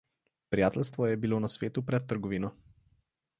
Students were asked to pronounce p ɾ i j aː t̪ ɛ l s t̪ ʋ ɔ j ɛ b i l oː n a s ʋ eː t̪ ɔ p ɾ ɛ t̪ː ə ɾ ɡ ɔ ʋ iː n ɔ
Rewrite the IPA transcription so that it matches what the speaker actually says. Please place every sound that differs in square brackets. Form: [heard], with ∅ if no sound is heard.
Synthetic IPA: p ɾ i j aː t̪ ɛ l s t̪ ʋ ɔ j ɛ b i l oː n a s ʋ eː t̪ [u] p ɾ ɛ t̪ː ə ɾ ɡ ɔ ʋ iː n ɔ